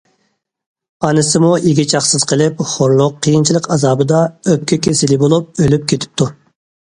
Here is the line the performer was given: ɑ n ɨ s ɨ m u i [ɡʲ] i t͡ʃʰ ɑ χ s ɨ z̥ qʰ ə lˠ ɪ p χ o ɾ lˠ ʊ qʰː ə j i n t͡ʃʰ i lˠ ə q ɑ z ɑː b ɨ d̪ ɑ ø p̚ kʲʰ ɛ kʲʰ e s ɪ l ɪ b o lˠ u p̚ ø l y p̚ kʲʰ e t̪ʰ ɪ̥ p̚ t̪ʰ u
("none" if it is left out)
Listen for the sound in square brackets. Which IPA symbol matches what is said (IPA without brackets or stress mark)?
ɡʲ